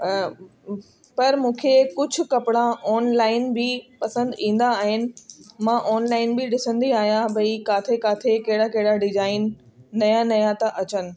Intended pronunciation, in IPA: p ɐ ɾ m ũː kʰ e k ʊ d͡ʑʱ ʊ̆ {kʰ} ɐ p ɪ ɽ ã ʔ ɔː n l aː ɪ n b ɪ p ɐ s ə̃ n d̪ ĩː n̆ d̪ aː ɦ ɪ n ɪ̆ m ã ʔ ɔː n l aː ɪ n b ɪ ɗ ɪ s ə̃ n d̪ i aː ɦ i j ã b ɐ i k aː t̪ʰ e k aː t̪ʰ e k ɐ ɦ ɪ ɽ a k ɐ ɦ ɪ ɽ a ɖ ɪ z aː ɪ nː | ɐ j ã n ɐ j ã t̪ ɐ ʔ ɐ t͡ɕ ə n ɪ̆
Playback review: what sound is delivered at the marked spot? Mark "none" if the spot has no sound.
k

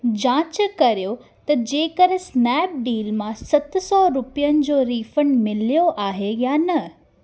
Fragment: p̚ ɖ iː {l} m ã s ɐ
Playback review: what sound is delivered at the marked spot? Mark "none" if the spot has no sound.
l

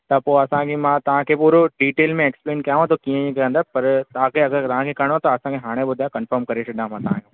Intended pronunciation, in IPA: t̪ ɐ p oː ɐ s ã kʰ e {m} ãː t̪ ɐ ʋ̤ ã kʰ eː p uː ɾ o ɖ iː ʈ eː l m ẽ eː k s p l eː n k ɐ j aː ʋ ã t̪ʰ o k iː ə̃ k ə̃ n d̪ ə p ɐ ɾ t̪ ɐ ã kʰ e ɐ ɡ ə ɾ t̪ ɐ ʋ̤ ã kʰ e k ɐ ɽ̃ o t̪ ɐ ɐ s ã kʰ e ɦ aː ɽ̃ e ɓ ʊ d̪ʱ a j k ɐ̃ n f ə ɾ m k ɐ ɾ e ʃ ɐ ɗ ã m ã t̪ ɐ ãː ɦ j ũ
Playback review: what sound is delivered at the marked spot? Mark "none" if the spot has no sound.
m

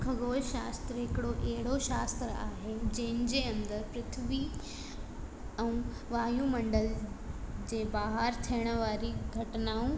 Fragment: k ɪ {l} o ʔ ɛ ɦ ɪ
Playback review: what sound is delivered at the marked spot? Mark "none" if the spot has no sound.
ɽ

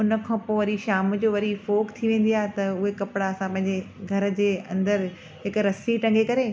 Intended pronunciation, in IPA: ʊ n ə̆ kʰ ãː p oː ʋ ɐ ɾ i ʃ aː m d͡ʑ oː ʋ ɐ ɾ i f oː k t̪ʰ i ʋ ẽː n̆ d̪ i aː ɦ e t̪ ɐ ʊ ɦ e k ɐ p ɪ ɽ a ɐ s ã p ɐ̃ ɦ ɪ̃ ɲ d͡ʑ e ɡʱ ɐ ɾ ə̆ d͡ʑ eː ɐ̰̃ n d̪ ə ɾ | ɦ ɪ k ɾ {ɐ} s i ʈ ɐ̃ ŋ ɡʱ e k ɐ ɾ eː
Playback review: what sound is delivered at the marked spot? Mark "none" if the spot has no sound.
ɐ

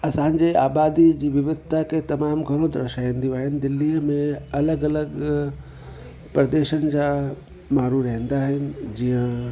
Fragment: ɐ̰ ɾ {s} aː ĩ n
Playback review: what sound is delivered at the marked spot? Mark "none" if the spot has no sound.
ʃ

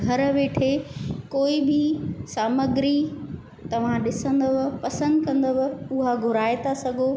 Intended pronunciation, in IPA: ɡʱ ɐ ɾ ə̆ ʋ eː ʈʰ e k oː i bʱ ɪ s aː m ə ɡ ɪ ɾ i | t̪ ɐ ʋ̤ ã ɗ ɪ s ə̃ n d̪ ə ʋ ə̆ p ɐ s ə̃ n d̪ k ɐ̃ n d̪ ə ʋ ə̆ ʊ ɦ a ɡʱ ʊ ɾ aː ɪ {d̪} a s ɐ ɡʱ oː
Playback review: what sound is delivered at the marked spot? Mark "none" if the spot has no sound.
t̪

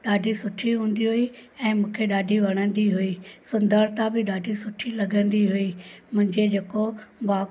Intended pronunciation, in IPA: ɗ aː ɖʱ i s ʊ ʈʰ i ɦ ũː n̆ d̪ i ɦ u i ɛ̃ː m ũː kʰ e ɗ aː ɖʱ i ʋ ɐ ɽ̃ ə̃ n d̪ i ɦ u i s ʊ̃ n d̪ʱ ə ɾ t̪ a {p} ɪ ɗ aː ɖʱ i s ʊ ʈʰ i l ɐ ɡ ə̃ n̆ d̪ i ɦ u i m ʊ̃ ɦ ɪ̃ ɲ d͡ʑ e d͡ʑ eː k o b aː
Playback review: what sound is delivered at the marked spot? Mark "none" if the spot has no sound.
b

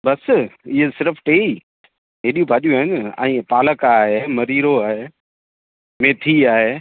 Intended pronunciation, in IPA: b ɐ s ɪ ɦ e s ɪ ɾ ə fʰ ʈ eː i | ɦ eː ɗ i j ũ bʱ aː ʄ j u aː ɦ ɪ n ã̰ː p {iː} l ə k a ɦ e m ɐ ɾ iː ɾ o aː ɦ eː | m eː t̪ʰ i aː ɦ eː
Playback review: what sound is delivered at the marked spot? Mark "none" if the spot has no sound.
aː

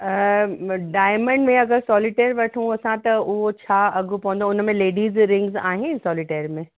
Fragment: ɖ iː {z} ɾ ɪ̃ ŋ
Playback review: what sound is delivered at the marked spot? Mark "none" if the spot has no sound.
z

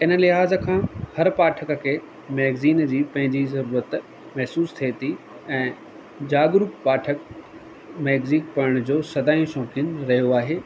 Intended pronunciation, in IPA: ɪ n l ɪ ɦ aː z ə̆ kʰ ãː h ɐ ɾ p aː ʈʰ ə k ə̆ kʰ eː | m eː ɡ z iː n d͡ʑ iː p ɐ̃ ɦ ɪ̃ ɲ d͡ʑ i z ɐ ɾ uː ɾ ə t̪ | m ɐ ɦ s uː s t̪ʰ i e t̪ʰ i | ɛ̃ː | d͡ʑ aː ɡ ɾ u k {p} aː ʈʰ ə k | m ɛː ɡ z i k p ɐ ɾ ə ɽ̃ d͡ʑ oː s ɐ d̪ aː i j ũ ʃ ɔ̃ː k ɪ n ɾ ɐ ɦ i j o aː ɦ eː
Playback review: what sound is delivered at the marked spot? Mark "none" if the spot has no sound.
p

